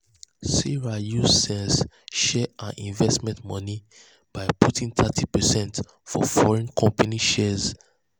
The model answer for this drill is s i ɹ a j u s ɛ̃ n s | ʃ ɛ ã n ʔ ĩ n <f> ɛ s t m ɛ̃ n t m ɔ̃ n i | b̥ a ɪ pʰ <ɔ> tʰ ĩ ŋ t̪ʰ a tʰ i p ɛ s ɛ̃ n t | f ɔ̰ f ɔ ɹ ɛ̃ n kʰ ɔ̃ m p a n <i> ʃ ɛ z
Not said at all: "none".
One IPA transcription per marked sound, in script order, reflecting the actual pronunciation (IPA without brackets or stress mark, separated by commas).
v, u, i